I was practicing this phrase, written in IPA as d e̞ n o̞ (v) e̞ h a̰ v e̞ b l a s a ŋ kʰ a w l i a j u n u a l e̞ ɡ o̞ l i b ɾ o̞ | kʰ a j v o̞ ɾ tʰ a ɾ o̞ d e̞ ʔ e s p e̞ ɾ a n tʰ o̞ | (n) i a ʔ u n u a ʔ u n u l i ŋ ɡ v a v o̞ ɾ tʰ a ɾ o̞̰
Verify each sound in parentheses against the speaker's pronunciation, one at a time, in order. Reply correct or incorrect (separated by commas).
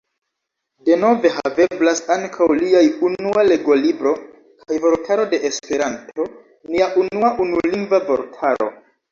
correct, correct